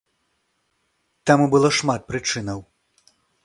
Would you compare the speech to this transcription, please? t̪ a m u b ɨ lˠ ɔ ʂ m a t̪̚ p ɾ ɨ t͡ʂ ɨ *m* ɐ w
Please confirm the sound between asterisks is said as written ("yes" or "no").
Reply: no